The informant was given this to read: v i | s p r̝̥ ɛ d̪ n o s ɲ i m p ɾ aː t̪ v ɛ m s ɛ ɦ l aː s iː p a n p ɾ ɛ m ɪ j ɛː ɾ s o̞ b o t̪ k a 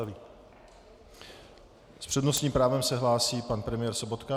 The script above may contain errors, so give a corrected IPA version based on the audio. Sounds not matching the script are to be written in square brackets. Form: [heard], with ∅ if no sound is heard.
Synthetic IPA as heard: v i | s p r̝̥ ɛ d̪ n o s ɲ [iː] m p ɾ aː [∅] v ɛ m s ɛ ɦ l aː s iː p a n p ɾ ɛ m ɪ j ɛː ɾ s o̞ b o t̪ k a